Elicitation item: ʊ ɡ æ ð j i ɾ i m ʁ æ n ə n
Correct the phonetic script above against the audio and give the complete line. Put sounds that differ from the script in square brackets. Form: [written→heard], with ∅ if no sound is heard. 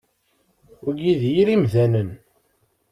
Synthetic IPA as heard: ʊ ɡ [æ→i] ð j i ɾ i m [ʁ→ð] æ n ə n

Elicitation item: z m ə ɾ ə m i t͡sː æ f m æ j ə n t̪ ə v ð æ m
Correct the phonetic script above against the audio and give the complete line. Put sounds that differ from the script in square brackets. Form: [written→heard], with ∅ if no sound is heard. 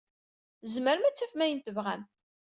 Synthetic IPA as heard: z m ə ɾ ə m [i→æ] t͡sː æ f m æ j ə n t̪ ə v [ð→ʁ] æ m

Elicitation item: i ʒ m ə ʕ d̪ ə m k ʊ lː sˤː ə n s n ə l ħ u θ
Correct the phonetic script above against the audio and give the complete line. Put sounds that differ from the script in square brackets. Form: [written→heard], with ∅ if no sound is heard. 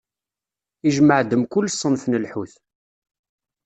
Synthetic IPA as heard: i ʒ m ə ʕ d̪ ə m k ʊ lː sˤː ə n [s→f] n ə l ħ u θ

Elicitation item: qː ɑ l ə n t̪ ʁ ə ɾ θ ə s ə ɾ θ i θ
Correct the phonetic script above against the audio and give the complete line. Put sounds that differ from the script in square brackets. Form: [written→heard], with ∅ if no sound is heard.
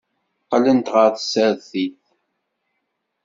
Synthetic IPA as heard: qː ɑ l ə n t̪ ʁ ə ɾ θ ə s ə ɾ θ i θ

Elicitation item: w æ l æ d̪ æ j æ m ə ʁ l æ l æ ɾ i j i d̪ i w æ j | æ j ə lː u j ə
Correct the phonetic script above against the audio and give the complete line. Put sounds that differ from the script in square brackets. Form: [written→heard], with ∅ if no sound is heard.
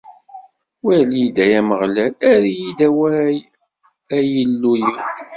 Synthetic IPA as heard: w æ l [æ→i] d̪ æ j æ m ə ʁ l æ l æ ɾ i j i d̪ [i→æ] w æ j | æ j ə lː u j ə

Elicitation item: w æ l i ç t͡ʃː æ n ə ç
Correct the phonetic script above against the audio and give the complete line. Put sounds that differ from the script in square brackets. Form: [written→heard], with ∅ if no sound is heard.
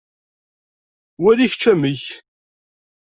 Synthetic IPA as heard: w æ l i ç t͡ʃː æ [n→m] ə ç

